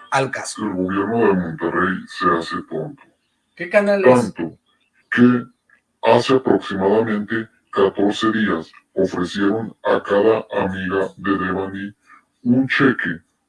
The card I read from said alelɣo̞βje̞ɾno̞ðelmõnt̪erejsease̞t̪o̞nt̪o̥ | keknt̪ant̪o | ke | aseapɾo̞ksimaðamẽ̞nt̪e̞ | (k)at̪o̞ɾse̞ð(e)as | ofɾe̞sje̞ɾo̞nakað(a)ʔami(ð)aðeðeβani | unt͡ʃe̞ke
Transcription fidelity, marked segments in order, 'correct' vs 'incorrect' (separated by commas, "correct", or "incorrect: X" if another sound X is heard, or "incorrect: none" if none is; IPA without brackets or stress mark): correct, incorrect: i, correct, incorrect: ɣ